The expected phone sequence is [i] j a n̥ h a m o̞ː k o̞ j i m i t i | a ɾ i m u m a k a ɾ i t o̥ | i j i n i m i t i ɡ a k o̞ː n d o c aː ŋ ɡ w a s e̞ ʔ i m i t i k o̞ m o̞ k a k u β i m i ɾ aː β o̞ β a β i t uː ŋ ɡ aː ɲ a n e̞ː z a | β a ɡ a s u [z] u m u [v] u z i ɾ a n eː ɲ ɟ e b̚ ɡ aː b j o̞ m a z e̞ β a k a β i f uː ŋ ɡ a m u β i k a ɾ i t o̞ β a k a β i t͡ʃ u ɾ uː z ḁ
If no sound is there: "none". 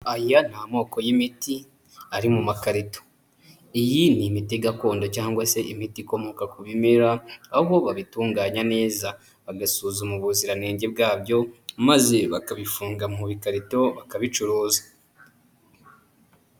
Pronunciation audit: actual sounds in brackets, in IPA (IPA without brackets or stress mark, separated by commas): a, z, β